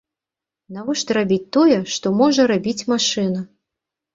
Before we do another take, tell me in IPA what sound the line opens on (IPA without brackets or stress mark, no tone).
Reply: n